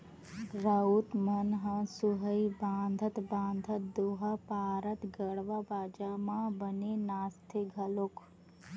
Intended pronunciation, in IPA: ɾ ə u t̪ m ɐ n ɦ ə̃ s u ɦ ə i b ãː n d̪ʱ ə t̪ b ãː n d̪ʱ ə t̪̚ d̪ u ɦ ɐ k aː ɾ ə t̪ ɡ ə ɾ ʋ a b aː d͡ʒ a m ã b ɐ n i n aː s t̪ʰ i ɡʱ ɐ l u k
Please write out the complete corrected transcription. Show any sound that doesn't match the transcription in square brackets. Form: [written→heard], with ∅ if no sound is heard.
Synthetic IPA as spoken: ɾ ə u t̪ m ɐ n ɦ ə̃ s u ɦ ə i b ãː n d̪ʱ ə t̪ b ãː n d̪ʱ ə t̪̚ d̪ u ɦ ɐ [k→p] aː ɾ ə t̪ ɡ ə [ɾ→ɽ] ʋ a b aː d͡ʒ a m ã b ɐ n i n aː s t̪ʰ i ɡʱ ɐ l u k